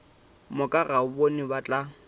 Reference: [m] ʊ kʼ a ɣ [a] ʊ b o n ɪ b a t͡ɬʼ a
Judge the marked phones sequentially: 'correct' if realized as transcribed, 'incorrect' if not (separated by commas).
correct, correct